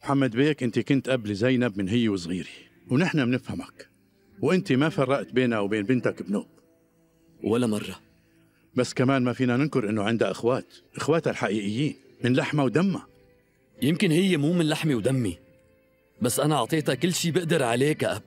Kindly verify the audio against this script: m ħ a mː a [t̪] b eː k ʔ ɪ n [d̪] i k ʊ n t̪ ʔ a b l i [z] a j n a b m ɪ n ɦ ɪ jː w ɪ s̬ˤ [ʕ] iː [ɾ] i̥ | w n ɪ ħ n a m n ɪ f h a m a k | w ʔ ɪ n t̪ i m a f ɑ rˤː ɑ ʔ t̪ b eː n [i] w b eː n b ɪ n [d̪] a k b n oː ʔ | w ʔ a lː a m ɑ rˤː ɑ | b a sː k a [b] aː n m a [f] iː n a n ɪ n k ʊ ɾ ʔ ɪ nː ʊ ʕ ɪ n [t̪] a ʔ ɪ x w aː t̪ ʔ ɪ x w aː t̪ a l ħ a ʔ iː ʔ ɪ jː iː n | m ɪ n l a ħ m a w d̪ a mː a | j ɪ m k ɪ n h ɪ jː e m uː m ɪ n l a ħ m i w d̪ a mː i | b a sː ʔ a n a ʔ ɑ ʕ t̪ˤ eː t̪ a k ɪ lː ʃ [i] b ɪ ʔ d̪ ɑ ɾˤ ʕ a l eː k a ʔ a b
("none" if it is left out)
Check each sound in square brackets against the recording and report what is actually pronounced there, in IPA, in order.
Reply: d̪, t̪, z, ɣ, ɾ, a, t̪, m, f, d̪, iː

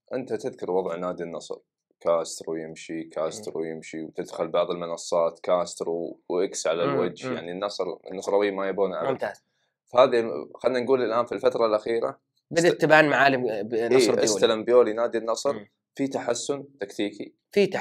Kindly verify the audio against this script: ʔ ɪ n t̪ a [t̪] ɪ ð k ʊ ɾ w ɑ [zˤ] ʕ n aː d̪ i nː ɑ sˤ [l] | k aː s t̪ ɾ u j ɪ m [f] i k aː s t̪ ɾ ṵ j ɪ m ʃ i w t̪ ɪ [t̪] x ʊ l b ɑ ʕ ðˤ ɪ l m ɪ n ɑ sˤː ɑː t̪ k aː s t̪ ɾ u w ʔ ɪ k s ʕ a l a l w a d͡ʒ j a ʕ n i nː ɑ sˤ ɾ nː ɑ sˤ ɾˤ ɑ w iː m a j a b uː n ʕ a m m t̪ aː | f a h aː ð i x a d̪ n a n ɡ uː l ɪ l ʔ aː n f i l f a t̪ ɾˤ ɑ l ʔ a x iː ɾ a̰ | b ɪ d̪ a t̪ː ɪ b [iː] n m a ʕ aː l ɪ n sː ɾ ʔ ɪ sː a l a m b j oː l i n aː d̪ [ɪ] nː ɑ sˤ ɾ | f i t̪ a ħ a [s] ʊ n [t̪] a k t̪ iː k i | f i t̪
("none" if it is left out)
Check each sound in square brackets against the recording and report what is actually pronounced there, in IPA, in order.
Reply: t̪, ðˤ, ɾ, ʃ, d̪, aː, i, sː, t̪

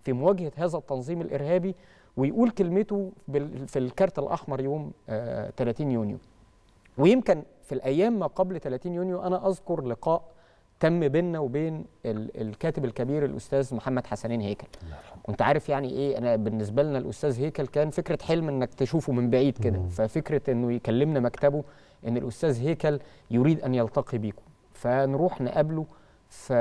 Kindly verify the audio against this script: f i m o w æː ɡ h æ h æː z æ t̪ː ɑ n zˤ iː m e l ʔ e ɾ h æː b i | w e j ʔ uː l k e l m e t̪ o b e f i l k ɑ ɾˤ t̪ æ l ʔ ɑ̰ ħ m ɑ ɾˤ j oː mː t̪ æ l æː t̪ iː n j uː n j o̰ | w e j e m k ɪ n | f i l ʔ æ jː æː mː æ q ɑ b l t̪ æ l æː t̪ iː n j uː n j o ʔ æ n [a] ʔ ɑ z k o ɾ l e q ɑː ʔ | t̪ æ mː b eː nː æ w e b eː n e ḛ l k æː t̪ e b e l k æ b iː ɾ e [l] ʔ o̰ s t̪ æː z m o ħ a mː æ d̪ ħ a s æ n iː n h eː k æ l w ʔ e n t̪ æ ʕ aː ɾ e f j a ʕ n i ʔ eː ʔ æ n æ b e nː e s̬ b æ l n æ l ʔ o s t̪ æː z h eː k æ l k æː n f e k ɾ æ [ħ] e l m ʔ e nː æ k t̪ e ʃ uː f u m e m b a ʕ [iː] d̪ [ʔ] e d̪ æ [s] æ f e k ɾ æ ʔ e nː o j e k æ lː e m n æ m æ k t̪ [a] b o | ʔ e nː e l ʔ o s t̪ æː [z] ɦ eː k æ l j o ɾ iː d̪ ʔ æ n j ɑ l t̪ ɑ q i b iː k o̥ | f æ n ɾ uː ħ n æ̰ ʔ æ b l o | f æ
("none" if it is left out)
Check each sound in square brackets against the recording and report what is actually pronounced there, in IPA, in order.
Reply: æ, l, ħ, iː, k, f, æ, z

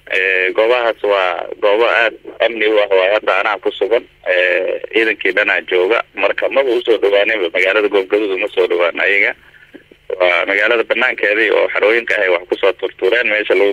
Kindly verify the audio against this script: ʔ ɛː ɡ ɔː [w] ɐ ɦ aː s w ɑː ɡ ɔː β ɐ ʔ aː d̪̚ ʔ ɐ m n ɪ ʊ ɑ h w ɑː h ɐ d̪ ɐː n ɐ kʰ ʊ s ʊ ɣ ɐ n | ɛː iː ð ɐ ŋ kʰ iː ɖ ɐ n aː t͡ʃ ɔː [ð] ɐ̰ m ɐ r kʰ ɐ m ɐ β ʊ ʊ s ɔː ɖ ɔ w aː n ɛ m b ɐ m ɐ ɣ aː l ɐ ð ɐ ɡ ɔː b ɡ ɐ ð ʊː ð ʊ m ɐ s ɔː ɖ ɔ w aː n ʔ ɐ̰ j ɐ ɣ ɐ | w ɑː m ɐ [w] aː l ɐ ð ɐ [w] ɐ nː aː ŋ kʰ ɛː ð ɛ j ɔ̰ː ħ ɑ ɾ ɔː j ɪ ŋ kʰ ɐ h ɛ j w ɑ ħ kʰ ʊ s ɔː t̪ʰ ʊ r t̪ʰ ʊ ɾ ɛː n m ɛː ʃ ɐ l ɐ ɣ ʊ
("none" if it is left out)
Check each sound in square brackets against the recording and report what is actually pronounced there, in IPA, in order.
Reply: β, ɣ, ɣ, b

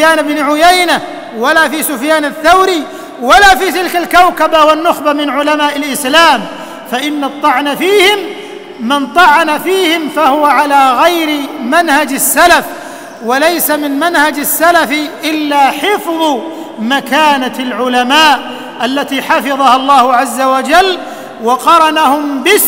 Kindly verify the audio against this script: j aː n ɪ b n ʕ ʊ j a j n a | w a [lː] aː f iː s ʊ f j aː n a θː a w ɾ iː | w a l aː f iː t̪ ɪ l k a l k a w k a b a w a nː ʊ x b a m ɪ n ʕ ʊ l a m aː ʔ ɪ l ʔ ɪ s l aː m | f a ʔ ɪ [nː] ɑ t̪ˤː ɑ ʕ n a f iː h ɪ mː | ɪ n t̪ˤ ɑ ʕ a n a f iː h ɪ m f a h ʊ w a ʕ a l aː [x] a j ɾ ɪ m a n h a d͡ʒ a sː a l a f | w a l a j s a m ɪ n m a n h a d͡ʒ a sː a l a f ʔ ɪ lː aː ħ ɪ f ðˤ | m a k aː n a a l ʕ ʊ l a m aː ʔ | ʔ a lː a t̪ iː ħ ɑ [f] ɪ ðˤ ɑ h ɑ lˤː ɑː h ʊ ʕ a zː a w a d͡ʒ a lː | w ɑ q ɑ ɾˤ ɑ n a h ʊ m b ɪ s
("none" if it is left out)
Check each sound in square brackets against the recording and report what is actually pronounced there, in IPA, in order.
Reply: l, nː, ɣ, f

